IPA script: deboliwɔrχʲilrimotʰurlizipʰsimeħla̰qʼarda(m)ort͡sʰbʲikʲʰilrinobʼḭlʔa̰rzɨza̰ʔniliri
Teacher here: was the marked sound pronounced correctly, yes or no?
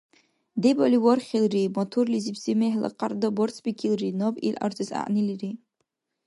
no